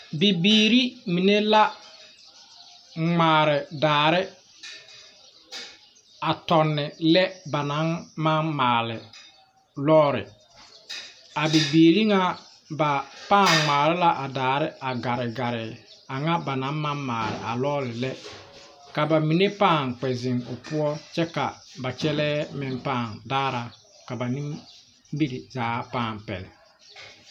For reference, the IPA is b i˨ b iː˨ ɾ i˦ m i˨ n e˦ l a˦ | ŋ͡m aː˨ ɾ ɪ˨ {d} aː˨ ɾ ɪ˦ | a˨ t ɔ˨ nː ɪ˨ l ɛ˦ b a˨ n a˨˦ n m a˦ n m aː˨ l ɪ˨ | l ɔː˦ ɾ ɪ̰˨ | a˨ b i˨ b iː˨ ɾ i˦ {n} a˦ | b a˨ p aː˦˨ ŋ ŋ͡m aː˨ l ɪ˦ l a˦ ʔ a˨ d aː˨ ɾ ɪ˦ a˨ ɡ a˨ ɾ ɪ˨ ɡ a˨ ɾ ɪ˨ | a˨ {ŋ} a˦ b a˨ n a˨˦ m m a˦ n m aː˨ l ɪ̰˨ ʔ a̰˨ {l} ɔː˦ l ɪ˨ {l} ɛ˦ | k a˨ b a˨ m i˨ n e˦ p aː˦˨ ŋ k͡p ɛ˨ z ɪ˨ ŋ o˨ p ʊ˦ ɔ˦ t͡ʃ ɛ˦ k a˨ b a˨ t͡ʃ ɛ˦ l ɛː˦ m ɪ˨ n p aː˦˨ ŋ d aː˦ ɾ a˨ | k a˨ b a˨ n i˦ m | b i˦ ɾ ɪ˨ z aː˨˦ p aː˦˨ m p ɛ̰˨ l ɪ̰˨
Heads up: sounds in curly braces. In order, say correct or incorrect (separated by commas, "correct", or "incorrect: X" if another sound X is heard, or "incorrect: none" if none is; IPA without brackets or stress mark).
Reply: correct, incorrect: ŋ, correct, correct, correct